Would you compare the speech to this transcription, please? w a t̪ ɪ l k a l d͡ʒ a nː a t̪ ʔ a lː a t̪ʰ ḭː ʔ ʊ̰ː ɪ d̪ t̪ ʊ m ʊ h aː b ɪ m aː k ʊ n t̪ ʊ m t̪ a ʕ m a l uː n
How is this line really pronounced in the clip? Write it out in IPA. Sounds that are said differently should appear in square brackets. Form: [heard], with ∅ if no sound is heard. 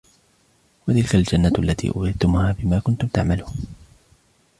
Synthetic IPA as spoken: w a t̪ ɪ l k a l d͡ʒ a nː a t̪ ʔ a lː a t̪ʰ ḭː ʔ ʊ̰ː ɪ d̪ t̪ ʊ m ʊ h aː b ɪ m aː k ʊ n t̪ ʊ m t̪ a ʕ m a l uː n